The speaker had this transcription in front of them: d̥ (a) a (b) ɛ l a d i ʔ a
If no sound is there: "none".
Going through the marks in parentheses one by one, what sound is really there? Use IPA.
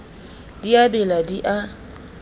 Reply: i, b

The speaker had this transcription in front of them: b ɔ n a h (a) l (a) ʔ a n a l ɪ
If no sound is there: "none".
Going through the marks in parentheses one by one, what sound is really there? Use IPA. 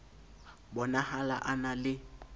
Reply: a, a

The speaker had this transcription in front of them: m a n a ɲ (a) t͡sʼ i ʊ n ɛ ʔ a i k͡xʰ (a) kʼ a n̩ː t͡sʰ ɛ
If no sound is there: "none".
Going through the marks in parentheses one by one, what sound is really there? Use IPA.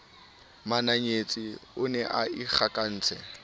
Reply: e, a

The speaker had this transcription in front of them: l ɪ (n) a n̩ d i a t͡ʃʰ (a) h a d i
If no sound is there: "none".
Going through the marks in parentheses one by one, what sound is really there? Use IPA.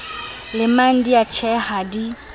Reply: m, ɛ

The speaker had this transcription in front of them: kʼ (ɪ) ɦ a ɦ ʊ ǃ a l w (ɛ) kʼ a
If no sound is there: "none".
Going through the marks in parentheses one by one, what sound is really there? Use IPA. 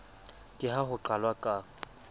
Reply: ɪ, a

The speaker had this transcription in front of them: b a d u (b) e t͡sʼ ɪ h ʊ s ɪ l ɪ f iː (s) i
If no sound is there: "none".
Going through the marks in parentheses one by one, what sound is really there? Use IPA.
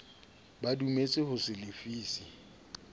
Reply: m, s

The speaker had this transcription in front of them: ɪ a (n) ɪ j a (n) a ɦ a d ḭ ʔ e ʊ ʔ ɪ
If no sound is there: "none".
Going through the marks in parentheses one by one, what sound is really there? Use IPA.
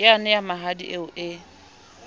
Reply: n, m

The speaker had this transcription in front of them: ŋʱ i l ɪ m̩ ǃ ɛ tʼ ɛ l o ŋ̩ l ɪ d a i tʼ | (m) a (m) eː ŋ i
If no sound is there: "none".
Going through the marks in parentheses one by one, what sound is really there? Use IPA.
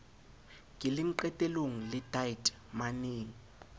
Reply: m, n

